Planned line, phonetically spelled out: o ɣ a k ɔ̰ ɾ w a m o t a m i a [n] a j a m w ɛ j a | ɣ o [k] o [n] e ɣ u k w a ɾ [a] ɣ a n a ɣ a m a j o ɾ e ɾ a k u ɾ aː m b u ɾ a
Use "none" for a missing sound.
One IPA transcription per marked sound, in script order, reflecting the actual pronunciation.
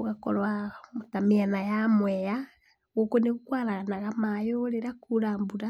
n, k, n, a

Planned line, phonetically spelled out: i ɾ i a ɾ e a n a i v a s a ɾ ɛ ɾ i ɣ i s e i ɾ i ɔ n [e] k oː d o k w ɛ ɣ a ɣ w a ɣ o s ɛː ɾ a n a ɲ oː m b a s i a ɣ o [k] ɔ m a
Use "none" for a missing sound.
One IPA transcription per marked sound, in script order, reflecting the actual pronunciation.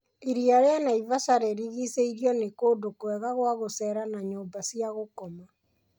e, k

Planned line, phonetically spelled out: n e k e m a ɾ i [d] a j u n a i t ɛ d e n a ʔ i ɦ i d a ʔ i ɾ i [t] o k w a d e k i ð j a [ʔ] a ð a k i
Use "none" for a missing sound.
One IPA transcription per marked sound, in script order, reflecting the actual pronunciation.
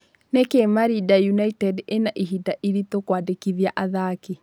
d, t, ʔ

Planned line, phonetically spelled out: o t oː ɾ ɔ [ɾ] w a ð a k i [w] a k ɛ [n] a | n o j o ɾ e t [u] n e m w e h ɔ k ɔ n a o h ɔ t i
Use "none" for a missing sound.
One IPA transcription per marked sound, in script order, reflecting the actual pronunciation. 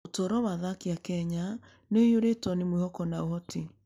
none, none, ɲ, ɔ

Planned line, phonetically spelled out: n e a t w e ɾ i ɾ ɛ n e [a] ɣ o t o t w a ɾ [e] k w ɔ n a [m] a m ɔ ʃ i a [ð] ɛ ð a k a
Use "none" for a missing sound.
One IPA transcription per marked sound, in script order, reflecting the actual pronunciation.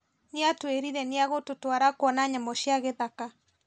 a, a, ɲ, ɣ

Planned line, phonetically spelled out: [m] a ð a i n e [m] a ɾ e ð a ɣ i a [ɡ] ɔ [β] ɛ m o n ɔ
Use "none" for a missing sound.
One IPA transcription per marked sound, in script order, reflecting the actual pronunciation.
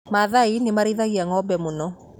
m, m, ŋ, b

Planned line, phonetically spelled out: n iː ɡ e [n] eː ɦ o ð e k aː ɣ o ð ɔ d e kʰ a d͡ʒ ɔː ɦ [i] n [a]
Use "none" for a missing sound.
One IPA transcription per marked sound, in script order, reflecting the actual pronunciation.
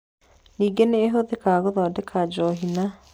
n, i, a

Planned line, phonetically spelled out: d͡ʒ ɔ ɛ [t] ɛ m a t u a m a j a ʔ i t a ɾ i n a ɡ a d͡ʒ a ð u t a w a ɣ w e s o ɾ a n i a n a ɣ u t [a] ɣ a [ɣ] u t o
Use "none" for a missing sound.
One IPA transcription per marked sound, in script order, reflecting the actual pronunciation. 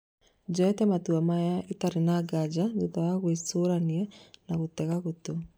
t, ɛ, ɣ

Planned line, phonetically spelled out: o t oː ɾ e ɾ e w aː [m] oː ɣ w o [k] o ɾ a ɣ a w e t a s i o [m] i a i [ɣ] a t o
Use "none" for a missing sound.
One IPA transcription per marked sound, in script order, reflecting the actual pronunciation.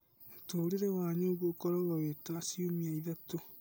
ɲ, k, m, ð

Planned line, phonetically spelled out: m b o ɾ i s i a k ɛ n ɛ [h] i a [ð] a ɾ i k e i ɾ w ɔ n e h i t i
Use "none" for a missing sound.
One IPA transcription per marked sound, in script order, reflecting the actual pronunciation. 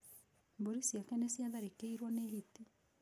s, ð

